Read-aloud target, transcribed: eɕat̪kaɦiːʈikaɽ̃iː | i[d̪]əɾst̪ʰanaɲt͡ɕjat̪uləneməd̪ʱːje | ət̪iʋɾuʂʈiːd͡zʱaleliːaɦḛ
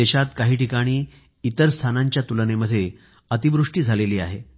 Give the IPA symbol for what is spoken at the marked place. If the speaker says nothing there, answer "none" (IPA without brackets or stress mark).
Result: t̪